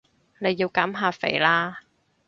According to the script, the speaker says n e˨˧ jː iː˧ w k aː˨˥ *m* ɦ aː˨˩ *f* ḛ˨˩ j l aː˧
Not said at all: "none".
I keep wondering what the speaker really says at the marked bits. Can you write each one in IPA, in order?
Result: m, f

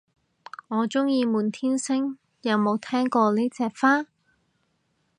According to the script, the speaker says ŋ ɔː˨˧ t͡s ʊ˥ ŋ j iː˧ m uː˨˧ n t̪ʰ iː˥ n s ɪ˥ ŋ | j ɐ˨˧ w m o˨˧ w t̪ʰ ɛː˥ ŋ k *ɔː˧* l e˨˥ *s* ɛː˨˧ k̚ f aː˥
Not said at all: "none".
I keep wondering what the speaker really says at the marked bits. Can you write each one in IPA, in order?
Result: ɔː˧, t͡s

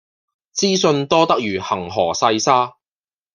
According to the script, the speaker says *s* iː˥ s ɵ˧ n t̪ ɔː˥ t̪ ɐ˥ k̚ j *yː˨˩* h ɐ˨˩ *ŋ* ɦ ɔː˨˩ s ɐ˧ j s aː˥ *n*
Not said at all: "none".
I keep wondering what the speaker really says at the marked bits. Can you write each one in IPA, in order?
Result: t͡s, yː˨˩, ŋ, none

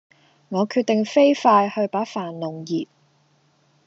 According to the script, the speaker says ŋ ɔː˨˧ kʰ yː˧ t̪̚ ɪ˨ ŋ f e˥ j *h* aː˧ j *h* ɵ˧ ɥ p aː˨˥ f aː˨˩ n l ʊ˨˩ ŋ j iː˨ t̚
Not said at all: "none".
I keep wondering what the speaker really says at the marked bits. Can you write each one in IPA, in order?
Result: f, h

